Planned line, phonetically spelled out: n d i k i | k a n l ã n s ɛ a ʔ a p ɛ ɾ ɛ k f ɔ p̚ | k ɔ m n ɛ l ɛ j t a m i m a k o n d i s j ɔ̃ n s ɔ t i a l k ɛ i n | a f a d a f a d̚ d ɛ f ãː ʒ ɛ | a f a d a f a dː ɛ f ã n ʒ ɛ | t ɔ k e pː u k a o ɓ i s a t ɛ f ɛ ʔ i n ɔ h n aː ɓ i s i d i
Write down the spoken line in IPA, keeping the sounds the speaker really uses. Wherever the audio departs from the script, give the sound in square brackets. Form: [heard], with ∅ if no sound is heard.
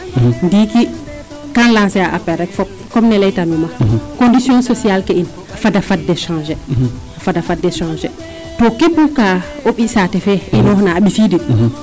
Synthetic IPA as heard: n d i k i | k a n l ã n s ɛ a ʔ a p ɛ ɾ ɛ k f ɔ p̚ | k ɔ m n ɛ l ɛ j t a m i m a k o n d i s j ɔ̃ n s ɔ [s] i a l k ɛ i n | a f a d a f a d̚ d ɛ [ʃ] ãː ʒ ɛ | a f a d a f a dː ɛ [ʃ] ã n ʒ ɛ | t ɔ k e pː u k a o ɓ i s a t ɛ f ɛ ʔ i n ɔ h n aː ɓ i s i d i